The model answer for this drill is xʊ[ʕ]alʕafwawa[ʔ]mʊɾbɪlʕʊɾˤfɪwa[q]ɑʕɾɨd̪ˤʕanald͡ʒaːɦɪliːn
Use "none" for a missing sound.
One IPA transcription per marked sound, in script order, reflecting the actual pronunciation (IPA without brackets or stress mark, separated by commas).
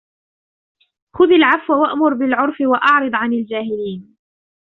ð, ʔ, ʔ